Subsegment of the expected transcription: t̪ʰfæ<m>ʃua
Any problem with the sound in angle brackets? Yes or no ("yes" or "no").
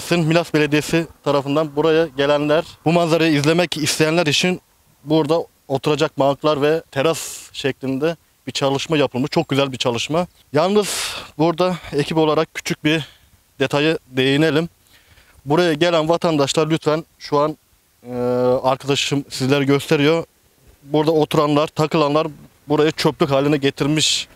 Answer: yes